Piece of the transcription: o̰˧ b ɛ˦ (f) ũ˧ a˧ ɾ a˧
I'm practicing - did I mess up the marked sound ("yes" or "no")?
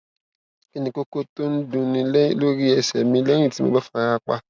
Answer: no